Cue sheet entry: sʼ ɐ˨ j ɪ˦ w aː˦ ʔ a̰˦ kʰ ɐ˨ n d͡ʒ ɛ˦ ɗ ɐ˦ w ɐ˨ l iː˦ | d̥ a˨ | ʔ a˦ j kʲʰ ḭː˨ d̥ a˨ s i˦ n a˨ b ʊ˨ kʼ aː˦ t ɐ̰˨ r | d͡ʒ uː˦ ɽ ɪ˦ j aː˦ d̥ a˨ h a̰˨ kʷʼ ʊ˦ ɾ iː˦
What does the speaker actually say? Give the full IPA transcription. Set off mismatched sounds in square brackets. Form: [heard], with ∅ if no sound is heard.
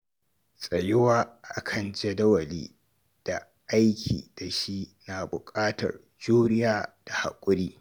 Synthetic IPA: sʼ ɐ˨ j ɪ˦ w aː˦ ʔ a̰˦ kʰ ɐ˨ n d͡ʒ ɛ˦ [d] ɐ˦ w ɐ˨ l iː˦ | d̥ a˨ | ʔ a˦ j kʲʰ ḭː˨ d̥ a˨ [ʃ] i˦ n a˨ b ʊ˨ kʼ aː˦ t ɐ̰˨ r | d͡ʒ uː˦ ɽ ɪ˦ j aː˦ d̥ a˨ h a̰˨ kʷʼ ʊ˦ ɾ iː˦